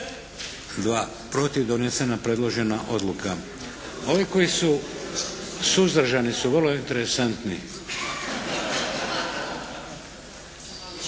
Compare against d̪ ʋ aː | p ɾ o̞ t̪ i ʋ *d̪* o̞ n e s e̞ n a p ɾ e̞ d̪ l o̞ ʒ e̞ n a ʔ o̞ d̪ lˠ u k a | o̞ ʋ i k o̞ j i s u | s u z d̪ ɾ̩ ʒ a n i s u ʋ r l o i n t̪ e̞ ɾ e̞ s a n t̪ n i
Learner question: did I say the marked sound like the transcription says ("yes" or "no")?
yes